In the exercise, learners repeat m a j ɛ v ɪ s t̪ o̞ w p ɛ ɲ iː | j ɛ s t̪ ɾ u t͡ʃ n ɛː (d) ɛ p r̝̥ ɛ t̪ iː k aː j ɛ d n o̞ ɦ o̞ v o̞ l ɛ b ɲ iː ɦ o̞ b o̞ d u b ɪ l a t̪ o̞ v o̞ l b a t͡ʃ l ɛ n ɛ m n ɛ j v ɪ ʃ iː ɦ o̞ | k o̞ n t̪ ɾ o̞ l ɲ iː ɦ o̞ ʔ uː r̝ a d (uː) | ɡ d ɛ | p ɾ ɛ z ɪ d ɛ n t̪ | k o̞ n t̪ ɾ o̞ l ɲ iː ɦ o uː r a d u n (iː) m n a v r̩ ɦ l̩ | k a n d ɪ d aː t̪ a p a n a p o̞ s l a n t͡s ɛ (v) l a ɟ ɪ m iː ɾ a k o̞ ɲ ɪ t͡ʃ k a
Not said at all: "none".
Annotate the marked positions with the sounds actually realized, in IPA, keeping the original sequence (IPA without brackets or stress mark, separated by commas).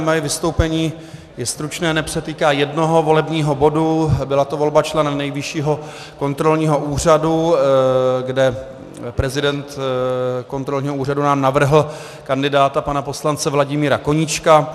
n, u, aː, v